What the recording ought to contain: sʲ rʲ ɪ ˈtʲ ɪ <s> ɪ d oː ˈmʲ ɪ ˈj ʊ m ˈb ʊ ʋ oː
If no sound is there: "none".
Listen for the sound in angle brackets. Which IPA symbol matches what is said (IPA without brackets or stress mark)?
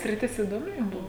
s